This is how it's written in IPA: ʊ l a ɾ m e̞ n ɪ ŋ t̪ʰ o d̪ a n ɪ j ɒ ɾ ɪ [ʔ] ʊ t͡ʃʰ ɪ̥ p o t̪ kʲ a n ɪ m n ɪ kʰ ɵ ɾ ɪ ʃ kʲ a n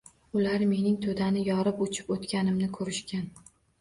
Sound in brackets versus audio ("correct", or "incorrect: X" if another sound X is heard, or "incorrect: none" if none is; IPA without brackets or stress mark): incorrect: p